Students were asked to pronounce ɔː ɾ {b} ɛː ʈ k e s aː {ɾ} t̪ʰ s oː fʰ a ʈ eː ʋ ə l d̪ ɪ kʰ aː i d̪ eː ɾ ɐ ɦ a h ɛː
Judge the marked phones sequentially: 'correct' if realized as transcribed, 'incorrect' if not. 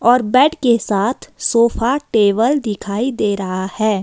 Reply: correct, incorrect

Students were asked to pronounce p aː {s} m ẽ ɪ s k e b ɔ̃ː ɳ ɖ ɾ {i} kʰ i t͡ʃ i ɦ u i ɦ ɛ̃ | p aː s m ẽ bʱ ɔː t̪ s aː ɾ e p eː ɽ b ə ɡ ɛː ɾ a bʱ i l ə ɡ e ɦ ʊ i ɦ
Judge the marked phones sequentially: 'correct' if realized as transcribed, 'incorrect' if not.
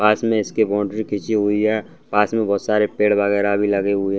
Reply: correct, correct

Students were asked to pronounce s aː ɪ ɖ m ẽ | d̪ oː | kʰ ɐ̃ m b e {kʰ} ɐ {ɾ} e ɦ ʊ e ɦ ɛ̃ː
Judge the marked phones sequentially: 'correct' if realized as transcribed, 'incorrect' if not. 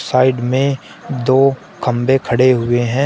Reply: correct, incorrect

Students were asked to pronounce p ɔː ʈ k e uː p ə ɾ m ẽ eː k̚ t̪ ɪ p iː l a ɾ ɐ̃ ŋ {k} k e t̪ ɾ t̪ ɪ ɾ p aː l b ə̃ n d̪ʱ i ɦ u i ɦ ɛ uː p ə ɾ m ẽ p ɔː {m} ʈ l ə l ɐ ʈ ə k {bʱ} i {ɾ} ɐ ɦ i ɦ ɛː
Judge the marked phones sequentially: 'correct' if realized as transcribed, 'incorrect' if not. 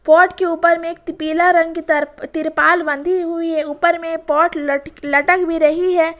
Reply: incorrect, incorrect, correct, correct

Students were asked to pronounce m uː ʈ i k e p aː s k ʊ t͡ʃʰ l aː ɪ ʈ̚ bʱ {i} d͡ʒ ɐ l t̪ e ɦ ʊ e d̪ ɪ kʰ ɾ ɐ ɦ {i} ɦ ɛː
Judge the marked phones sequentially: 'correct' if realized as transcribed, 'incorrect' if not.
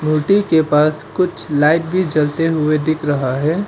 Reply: correct, incorrect

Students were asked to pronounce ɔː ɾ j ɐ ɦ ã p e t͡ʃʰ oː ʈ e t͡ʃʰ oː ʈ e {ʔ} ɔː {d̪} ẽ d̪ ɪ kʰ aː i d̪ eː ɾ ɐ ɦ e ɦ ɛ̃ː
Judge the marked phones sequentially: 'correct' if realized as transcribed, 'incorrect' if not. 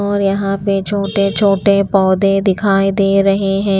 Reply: incorrect, correct

